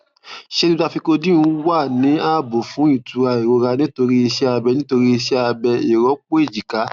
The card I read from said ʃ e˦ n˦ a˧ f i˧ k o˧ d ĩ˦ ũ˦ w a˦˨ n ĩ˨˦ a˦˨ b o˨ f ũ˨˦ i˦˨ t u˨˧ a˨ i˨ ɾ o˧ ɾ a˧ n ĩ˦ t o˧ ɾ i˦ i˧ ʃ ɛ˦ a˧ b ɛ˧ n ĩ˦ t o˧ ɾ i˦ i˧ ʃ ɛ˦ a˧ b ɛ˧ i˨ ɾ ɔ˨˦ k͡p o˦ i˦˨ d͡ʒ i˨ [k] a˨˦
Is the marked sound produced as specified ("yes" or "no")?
yes